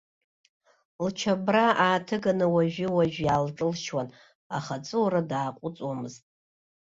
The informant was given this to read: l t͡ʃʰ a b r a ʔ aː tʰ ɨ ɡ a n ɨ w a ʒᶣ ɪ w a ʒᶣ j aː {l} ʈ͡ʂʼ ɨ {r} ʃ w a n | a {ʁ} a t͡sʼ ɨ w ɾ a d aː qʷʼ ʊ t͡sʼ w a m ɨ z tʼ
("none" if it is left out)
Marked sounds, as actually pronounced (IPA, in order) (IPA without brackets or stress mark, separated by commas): l, l, χ